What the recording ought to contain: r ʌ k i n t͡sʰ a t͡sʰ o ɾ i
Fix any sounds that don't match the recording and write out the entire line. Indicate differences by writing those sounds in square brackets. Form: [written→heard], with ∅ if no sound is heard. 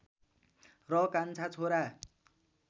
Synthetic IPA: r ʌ k [i→a] n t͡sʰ a t͡sʰ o ɾ [i→a]